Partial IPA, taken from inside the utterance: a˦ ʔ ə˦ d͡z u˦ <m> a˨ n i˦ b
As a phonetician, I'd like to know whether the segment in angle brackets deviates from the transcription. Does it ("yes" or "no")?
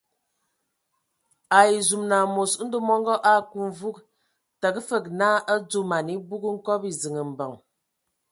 no